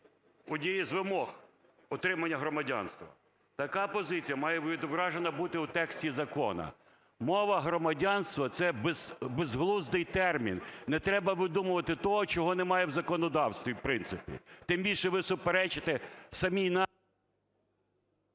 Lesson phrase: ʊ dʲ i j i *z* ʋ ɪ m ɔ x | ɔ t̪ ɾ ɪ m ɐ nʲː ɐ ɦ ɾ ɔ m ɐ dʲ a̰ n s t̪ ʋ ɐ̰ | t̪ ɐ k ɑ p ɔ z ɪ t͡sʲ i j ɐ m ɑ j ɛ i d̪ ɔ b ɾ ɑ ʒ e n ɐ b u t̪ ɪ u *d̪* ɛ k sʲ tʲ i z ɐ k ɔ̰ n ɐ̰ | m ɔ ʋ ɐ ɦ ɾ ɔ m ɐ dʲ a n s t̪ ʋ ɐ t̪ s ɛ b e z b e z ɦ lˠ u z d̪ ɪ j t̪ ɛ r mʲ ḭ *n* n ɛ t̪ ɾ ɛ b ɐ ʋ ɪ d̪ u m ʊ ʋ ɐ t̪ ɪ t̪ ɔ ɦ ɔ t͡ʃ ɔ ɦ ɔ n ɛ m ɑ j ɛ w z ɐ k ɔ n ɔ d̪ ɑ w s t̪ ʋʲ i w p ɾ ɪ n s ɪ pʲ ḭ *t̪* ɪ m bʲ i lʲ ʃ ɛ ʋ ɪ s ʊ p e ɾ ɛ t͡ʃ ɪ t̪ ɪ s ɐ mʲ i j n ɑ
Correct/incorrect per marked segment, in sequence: correct, incorrect: t̪, correct, correct

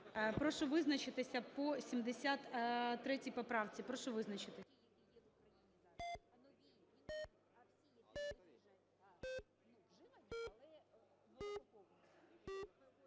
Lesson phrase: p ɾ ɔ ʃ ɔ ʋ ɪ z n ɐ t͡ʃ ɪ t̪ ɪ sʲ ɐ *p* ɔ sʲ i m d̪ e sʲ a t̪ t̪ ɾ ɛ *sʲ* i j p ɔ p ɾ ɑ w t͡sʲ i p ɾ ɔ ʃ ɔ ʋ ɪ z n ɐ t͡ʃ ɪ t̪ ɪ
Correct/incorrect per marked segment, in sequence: correct, incorrect: tʲ

